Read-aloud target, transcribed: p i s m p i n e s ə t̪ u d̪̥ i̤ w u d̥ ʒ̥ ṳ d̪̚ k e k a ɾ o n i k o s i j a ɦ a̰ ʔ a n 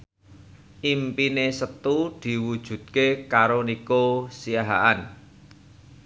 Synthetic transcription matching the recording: ʔ i m p i n e s ə t̪ u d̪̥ i̤ w u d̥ ʒ̥ ṳ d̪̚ k e k a ɾ o n i k o s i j a ɦ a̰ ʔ a n